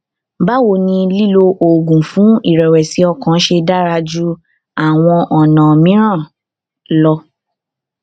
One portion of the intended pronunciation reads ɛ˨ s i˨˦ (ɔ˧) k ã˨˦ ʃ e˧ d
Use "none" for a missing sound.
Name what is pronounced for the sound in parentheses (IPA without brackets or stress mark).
ɔ˧